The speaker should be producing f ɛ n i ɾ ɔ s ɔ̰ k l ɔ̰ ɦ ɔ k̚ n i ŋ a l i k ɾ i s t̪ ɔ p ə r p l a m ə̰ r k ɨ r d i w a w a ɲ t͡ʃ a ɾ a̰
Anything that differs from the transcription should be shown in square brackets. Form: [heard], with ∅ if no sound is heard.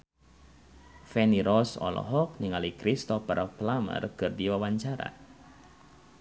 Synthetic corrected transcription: f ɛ n i ɾ ɔ s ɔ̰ [∅] l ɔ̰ ɦ ɔ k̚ n i ŋ a l i k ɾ i s t̪ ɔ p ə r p l a m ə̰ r k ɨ r d i w a w a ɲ t͡ʃ a ɾ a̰